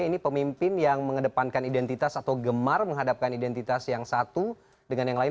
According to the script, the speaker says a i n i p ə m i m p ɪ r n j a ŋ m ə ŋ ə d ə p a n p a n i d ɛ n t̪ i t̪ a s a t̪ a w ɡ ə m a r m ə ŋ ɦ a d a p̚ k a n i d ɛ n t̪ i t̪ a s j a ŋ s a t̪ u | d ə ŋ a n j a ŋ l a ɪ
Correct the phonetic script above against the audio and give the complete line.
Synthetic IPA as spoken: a i n i p ə m i m p ɪ n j a ŋ m ə ŋ ə d ə p a n k a n i d ɛ n t̪ i t̪ a s a t̪ a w ɡ ə m a r m ə ŋ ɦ a d a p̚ k a n i d ɛ n t̪ i t̪ a s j a ŋ s a t̪ u | d ə ŋ a n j a ŋ l a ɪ